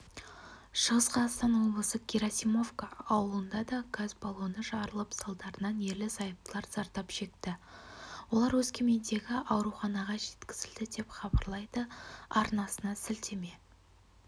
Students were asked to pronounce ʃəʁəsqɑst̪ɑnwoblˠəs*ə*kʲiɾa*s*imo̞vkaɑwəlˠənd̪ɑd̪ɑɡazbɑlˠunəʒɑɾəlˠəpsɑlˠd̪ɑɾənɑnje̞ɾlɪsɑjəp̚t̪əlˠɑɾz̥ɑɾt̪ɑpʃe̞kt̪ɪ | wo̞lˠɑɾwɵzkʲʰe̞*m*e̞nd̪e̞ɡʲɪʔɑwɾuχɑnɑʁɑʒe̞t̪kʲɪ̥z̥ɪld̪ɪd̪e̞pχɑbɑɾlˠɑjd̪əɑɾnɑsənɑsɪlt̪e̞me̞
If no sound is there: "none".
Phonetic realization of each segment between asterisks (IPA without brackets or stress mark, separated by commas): ə, s, m